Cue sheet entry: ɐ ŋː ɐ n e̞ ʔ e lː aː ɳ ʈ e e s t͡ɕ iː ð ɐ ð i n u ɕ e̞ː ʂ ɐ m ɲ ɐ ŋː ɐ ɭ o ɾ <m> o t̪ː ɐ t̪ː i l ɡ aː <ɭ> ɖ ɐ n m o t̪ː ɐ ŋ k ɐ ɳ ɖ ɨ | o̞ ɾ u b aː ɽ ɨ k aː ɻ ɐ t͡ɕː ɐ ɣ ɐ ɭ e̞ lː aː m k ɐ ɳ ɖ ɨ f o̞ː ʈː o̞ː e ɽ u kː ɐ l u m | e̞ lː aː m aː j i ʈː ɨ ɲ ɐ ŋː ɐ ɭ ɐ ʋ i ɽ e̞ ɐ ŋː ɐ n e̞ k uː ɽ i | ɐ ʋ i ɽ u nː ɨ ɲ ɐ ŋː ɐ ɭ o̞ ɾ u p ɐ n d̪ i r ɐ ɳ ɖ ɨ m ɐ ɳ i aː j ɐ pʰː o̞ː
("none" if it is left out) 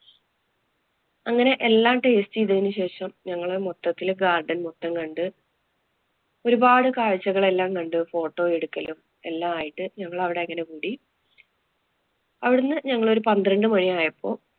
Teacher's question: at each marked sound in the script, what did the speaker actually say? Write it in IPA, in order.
m, r

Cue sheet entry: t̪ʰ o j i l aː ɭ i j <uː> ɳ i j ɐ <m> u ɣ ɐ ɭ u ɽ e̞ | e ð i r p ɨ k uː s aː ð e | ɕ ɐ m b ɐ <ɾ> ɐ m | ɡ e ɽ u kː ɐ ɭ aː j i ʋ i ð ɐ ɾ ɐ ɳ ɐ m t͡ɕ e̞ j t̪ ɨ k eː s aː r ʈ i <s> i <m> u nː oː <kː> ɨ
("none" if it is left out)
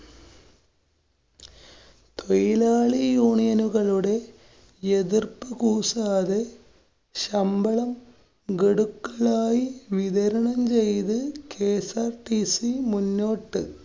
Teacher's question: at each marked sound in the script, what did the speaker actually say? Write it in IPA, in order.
uː, n, ɭ, s, m, ʈː

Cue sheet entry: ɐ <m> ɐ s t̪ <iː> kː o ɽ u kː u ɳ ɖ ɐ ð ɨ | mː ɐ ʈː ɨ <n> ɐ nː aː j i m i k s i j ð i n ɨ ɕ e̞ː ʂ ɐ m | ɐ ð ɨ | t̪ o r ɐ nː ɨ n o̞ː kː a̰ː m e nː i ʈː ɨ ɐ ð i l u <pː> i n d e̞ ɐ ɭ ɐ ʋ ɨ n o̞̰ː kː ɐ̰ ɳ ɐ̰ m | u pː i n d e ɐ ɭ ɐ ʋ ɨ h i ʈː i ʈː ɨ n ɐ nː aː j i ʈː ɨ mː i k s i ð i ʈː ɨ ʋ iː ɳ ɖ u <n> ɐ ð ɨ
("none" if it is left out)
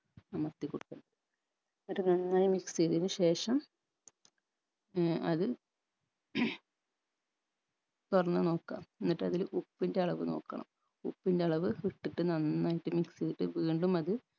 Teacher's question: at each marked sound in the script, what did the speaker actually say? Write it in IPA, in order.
m, i, n, pː, m

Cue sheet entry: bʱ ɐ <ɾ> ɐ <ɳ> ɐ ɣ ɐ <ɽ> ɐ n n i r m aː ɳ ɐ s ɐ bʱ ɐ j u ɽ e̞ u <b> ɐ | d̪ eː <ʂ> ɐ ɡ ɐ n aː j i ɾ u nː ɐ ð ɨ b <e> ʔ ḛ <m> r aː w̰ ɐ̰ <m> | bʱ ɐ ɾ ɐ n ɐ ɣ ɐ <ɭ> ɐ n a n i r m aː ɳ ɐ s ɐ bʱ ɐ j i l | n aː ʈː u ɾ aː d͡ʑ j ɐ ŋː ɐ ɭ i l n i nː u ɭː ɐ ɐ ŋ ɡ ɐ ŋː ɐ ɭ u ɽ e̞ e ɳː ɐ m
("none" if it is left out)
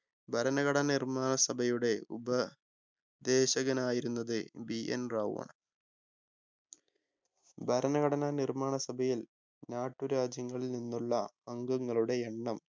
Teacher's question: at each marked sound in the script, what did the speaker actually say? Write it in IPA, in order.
ɾ, n, ɽ, b, ɕ, i, n, ɳ, ɽ

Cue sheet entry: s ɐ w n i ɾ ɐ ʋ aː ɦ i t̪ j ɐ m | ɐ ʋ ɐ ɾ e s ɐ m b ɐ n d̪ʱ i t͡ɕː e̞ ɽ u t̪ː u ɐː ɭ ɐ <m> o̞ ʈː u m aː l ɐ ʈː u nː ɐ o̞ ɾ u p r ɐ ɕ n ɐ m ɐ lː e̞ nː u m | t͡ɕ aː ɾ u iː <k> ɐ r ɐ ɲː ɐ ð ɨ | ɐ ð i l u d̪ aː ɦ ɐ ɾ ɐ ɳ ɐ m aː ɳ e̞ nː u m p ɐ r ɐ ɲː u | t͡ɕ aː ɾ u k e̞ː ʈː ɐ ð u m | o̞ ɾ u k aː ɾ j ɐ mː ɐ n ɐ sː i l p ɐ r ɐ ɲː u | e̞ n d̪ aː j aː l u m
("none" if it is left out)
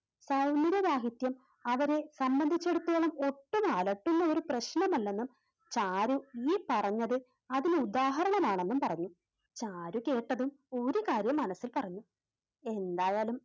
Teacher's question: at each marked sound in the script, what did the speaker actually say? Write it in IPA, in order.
m, p

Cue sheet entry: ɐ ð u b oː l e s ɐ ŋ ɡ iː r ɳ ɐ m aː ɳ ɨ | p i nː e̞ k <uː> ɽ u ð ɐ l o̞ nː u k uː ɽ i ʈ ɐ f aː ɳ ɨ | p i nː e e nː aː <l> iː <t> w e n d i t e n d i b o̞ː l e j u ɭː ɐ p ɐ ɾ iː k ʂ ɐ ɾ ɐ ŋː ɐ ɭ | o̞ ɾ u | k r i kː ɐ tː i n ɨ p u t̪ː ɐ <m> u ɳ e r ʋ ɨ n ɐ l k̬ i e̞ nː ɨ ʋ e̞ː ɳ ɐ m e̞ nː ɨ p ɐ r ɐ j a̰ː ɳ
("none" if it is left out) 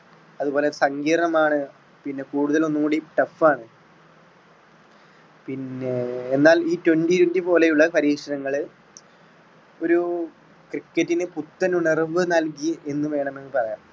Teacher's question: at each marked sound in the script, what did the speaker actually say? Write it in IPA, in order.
uː, l, t, n

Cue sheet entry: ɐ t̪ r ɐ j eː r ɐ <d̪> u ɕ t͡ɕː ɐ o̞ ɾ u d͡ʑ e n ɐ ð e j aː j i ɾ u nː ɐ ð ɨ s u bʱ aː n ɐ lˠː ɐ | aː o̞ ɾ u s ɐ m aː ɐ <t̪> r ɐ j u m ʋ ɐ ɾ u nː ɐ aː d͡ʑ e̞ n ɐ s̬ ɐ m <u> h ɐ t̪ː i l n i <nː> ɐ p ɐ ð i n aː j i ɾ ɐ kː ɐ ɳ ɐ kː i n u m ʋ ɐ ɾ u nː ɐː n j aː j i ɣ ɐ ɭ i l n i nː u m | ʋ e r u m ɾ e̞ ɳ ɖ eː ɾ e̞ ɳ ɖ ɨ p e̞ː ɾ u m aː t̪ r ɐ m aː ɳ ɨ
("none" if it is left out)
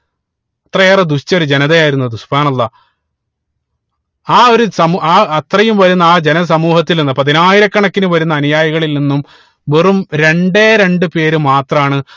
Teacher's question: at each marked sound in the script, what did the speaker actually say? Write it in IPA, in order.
d̪, t̪, uː, nː

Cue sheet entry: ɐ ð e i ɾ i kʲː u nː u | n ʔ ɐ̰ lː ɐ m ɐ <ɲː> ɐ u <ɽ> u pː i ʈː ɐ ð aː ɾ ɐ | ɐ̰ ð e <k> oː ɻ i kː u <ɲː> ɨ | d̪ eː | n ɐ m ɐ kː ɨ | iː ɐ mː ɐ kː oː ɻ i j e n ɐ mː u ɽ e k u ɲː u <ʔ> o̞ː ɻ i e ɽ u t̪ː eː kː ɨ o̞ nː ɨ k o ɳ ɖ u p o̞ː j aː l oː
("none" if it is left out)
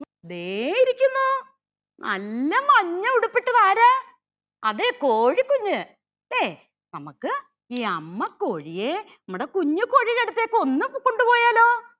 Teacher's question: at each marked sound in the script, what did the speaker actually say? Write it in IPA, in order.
ɲː, ɽ, k, ɲː, k

